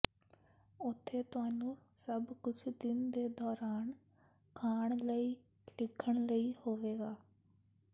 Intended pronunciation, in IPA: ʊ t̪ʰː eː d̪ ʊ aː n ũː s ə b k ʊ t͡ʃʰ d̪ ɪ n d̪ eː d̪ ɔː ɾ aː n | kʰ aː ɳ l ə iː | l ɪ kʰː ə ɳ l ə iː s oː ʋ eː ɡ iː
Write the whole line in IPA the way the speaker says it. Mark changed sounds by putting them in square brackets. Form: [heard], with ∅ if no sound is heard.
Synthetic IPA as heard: ʊ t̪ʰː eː [t̪] ʊ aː n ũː s ə b k ʊ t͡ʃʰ d̪ ɪ n d̪ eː d̪ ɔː ɾ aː n | kʰ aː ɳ l ə iː | l ɪ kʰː ə ɳ l ə iː [h] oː ʋ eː ɡ [aː]